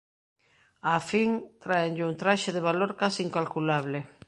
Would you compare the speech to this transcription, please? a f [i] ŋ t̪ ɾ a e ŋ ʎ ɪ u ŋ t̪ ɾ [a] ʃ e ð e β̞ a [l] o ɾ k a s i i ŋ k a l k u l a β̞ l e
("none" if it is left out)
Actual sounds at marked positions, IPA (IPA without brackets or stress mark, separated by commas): i, a, l